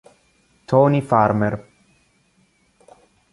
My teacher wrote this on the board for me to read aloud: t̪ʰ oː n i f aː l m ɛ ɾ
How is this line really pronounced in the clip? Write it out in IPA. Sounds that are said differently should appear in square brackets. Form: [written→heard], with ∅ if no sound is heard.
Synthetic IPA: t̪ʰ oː n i f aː [l→ɾ] m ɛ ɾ